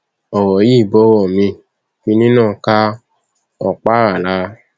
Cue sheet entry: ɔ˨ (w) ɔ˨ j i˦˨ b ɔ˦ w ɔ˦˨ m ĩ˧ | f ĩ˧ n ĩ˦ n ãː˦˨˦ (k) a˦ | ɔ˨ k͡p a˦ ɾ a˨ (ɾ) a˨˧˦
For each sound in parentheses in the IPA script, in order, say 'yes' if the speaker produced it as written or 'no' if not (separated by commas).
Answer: yes, yes, no